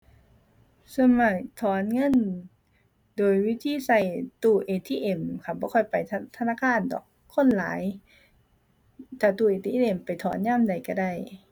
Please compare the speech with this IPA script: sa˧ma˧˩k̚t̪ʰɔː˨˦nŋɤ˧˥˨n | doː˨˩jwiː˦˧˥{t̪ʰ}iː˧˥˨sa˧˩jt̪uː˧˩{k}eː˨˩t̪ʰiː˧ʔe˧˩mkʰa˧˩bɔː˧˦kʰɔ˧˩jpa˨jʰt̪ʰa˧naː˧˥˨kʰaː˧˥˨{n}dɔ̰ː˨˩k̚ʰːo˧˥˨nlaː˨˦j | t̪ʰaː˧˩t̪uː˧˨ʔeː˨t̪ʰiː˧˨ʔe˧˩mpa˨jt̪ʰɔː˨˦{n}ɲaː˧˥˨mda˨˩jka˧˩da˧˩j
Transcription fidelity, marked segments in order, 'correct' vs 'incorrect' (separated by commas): correct, incorrect, correct, correct